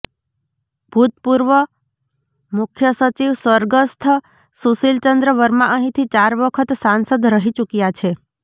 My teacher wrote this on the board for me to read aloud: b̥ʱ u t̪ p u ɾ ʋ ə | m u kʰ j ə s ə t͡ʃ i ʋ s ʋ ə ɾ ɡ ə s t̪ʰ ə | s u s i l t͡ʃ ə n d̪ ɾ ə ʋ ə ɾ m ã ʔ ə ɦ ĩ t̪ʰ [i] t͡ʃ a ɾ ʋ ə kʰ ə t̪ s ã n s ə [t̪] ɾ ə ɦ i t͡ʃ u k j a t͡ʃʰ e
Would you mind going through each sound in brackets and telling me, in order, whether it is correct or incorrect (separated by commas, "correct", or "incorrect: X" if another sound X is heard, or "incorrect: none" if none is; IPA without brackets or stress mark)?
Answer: correct, incorrect: d̪